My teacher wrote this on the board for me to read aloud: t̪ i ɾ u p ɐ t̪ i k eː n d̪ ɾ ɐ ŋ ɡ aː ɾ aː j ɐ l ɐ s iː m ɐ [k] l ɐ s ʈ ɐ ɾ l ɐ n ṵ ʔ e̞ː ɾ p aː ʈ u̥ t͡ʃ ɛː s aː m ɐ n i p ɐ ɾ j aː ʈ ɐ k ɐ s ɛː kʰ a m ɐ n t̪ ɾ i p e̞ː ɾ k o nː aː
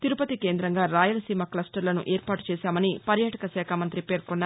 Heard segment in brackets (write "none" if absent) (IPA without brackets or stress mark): k